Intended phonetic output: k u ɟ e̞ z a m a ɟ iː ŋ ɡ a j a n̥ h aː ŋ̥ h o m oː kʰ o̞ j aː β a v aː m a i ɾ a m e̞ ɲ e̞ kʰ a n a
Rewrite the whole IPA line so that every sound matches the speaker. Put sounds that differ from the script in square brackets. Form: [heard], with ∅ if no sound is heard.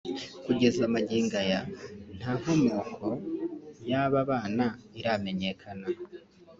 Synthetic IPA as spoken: k u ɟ e̞ z a m a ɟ iː ŋ ɡ a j a n̥ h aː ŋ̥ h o m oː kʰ o̞ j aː β a [β] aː [n] a i ɾ a m e̞ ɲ e̞ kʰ a n a

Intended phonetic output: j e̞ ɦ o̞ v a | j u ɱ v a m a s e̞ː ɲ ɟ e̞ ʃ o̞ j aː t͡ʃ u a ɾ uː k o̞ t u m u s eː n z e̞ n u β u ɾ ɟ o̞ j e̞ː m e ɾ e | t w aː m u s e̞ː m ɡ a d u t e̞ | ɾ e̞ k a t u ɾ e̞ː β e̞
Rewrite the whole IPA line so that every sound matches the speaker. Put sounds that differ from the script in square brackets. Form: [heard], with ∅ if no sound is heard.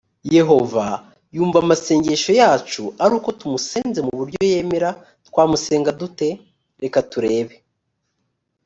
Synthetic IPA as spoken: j e̞ ɦ o̞ v a | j [uː] ɱ v a m a s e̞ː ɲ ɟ e̞ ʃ o̞ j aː t͡ʃ u a ɾ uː k o̞ t u m u s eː n z e̞ [m] u β u ɾ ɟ o̞ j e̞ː m e ɾ [a] | t w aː m u s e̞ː [ŋ] ɡ a d u t e̞ | ɾ e̞ k a t u ɾ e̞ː β e̞

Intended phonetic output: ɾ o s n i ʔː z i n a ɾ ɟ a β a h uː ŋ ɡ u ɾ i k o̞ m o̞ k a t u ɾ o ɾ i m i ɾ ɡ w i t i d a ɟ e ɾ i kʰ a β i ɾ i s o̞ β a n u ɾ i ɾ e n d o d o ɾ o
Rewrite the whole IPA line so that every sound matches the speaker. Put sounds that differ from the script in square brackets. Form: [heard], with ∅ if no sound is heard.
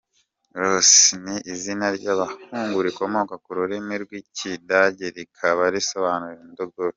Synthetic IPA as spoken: ɾ o s n i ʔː z i n a ɾ ɟ a β a h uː ŋ ɡ u ɾ i k o̞ m o̞ k a [k] u ɾ [u] ɾ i m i ɾ ɡ w i [c] i d a ɟ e ɾ i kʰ a β [a] ɾ i s o̞ β a n u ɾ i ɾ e n d o [ɡ] o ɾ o

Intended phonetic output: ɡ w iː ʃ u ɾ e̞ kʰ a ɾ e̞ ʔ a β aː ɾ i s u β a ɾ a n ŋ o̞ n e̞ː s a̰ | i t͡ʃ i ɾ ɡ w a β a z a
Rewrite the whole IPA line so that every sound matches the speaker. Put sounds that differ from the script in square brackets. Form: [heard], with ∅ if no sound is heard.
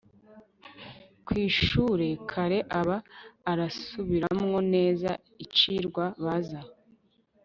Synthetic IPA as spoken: [k] w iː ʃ u ɾ e̞ kʰ a ɾ e̞ ʔ a β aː ɾ [a] s u β [i] ɾ a [m] ŋ o̞ n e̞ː [z] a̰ | i t͡ʃ i ɾ ɡ w a β a z a

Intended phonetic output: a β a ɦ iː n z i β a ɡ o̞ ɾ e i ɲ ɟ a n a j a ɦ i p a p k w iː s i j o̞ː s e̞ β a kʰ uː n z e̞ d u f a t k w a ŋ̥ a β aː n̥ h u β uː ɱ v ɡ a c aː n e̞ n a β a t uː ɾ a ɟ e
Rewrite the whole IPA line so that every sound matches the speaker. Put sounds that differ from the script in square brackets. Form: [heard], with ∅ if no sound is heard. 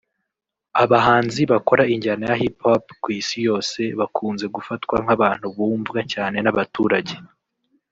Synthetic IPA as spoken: a β a ɦ [aː] n z i β a [k] o̞ ɾ [a] i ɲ ɟ a n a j a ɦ i p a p k w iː s i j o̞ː s e̞ β a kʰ uː n z e̞ [ɡ] u f a t k w a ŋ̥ a β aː n̥ h u β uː ɱ v ɡ a c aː n e̞ n a β a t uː ɾ a ɟ e

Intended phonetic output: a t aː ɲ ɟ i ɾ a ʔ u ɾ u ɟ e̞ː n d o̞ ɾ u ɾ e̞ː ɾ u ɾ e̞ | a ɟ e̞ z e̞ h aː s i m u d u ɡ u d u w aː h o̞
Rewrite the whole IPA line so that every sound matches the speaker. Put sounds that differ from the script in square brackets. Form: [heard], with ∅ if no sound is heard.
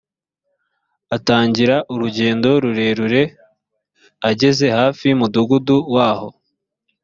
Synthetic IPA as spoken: a t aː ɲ ɟ i ɾ a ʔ u ɾ u ɟ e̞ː n d o̞ ɾ u ɾ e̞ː ɾ u ɾ e̞ | a ɟ e̞ z e̞ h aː [f] i m u d u ɡ u d u w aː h o̞

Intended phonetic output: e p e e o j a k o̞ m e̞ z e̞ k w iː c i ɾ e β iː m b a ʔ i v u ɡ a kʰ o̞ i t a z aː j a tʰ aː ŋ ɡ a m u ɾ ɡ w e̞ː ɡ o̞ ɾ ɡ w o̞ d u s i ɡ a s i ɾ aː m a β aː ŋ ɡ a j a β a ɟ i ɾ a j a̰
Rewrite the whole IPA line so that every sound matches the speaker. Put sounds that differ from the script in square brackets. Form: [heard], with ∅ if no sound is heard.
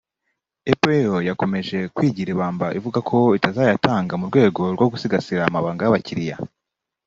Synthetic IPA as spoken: e p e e o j a k o̞ m e̞ [ʒ] e̞ k w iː [ɟ] i ɾ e β [aː] m b a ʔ i v u ɡ a kʰ o̞ i t a z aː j a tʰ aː ŋ ɡ a m u ɾ ɡ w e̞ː ɡ o̞ ɾ ɡ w o̞ [ɡ] u s i ɡ a s i ɾ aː m a β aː ŋ ɡ a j a β a [c] i ɾ [i] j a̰

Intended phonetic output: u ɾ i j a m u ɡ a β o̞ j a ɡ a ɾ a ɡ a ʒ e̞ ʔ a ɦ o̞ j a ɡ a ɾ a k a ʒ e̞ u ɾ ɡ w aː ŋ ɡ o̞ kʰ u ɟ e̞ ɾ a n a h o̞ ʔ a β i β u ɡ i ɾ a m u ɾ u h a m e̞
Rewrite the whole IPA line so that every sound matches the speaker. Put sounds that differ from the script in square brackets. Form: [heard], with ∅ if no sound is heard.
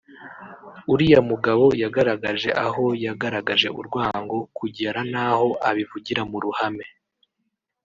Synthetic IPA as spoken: u ɾ i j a m u ɡ a β o̞ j a ɡ a ɾ a ɡ a ʒ e̞ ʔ a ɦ o̞ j a ɡ a ɾ a [ɡ] a ʒ e̞ u ɾ ɡ w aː ŋ ɡ o̞ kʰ u ɟ e̞ ɾ a n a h o̞ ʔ a β i [v] u [ɟ] i ɾ a m u ɾ u h a m e̞

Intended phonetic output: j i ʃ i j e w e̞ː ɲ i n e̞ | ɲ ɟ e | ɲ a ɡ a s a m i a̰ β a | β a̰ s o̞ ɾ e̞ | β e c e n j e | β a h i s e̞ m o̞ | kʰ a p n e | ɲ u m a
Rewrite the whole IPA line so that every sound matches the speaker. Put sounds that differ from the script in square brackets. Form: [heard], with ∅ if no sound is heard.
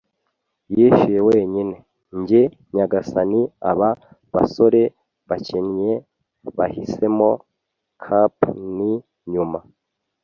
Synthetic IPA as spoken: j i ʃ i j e w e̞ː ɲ i n e̞ | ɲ ɟ e | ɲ a ɡ a s a [n] i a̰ β a | β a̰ s o̞ ɾ e̞ | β [a] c e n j e | β a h i s e̞ m o̞ | kʰ a p n [i] | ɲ u m a

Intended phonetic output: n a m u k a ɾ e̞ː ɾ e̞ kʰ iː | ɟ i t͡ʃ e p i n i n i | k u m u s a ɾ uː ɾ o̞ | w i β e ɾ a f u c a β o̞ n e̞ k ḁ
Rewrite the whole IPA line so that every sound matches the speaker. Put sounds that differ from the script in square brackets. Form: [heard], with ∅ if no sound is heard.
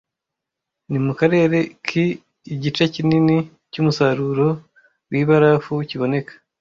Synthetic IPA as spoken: n [i] m u k a ɾ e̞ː ɾ e̞ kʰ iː | ɟ i t͡ʃ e [c] i n i n i | [c] u m u s a ɾ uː ɾ o̞ | w i β [a] ɾ a f u c [i] β o̞ n e̞ k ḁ

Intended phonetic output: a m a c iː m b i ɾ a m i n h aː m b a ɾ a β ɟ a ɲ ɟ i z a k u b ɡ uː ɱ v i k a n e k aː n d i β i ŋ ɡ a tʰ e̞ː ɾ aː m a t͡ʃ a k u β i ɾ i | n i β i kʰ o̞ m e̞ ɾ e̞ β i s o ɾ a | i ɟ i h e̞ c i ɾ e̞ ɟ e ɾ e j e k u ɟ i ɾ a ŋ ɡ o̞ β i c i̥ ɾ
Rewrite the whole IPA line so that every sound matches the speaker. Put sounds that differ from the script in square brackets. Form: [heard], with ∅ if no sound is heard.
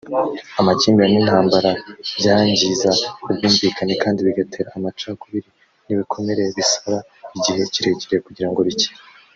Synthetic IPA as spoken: a m a c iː m b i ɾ a [n] i n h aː m b a ɾ a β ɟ a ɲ ɟ i z a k u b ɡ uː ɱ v i k a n e k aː n d i β i [∅] ɡ a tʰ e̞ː ɾ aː m a t͡ʃ a k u β i ɾ i | n i β i kʰ o̞ m e̞ ɾ e̞ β i s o ɾ a | i ɟ i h e̞ c i ɾ e̞ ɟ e ɾ e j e k u ɟ i ɾ a ŋ ɡ o̞ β i c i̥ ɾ

